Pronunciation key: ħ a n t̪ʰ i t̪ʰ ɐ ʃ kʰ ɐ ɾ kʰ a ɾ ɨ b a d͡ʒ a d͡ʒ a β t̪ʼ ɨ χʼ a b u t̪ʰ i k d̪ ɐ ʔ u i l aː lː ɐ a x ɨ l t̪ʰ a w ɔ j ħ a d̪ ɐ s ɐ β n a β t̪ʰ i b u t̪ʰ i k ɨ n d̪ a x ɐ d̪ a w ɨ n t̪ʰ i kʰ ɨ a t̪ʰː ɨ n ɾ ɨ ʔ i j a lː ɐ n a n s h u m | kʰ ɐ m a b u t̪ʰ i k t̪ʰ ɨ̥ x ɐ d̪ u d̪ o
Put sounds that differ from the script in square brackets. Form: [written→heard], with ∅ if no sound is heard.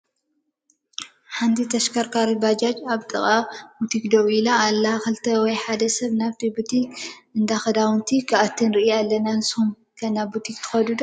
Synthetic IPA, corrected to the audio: ħ a n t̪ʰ i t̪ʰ ɐ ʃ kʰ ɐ ɾ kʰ a ɾ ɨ b a d͡ʒ a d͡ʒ a β t̪ʼ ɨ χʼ a b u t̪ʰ i k d̪ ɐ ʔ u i l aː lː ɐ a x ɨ l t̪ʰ [a→ɐ] w ɔ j ħ a d̪ ɐ s ɐ β n a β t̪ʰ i b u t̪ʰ i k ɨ n d̪ a x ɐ d̪ a w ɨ n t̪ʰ i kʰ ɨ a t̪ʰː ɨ n ɾ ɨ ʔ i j a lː ɐ n a n s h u m | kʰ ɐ [m→n] a b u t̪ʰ i k t̪ʰ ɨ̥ x ɐ d̪ u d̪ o